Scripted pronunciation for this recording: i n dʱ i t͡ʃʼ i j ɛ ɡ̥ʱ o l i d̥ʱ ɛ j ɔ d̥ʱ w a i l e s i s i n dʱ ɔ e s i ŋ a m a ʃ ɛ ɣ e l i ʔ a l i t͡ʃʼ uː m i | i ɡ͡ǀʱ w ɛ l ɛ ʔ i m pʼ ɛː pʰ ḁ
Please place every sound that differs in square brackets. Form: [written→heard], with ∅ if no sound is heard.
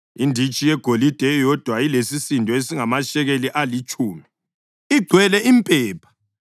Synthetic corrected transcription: i n dʱ i t͡ʃʼ i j ɛ ɡ̥ʱ o l i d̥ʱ ɛ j ɔ d̥ʱ w a i l e s i s i n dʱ ɔ e s i ŋ a m a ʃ ɛ ɣ e l i ʔ a l i t͡ʃʼ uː m i | i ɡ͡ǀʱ w ɛ l ɛ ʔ i m pʼ ɛː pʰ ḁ